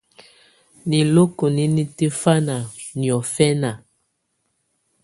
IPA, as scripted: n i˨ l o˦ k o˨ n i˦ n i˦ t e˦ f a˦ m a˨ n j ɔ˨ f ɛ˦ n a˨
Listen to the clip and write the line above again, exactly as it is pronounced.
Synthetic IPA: n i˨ l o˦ k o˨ n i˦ n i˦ t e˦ f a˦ n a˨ n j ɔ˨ f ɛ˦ n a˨